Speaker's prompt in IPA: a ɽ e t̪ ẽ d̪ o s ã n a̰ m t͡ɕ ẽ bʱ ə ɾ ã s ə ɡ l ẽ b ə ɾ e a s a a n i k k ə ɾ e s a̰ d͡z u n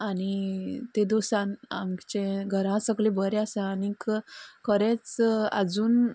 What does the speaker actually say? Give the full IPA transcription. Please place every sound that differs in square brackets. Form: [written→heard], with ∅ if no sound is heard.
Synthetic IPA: a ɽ [e→i] t̪ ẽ d̪ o s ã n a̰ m t͡ɕ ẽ [bʱ→ɡʱ] ə ɾ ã s ə ɡ l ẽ b ə ɾ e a s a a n i k k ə ɾ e [s→t͡s] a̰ d͡z [u→uː] n